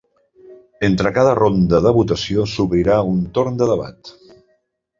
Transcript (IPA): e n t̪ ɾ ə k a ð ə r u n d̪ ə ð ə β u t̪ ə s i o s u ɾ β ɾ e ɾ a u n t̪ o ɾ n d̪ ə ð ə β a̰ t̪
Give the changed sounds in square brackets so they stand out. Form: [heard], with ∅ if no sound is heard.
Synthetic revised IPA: e n t̪ ɾ ə k a ð ə r [o] n d̪ ə ð ə β u t̪ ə s i o s u [∅] β ɾ [i] ɾ a u n t̪ o ɾ n d̪ ə ð ə β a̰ t̪